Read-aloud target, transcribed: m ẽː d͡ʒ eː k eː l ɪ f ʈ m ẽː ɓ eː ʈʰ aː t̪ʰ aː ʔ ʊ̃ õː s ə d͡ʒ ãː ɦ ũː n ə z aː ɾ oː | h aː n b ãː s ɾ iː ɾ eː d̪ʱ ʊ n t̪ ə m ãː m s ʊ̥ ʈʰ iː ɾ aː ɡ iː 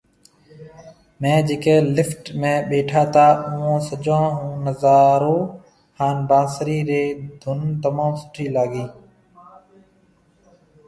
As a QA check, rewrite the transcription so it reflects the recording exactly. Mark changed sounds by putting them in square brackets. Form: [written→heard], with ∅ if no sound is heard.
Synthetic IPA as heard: m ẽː d͡ʒ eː k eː l ɪ f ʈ m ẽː ɓ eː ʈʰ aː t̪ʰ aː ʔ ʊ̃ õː s ə d͡ʒ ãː ɦ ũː n ə z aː ɾ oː | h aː n b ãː s ɾ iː ɾ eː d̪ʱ ʊ n t̪ ə m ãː m s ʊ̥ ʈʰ iː [ɾ→l] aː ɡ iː